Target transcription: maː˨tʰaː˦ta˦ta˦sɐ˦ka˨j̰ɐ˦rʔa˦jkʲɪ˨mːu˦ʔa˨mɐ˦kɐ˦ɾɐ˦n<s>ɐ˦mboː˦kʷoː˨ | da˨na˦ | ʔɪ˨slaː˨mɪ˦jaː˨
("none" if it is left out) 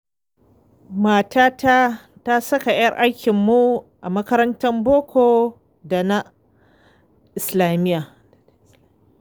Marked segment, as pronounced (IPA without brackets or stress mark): t